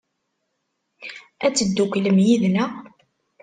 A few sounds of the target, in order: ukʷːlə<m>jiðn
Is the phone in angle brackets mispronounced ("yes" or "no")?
no